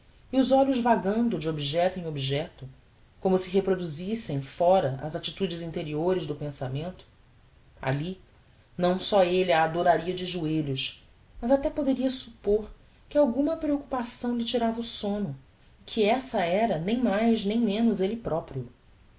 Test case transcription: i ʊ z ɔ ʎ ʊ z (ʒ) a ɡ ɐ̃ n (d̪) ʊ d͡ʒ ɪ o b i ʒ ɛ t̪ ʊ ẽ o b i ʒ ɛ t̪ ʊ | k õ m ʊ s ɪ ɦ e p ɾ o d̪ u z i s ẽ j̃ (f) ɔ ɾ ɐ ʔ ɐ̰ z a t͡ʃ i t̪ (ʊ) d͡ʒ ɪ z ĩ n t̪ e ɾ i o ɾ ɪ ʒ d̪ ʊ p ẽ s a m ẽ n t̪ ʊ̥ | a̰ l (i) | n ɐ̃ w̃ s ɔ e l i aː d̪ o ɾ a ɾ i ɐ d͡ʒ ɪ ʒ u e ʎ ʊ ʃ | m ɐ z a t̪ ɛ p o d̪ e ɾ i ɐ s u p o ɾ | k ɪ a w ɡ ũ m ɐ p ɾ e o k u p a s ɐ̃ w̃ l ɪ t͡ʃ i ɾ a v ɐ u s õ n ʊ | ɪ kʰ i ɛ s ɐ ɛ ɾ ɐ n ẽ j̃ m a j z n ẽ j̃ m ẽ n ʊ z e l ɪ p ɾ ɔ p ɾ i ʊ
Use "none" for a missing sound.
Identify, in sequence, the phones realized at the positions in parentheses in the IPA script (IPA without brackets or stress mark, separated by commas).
v, d̪, f, u, i